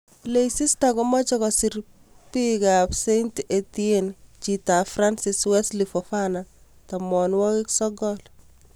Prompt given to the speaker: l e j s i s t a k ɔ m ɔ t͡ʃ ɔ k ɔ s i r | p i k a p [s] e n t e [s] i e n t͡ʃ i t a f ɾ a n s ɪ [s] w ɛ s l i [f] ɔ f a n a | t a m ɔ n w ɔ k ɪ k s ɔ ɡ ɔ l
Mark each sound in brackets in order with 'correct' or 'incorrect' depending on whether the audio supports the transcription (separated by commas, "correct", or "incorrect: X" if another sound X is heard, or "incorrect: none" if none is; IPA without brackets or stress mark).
correct, incorrect: t, correct, correct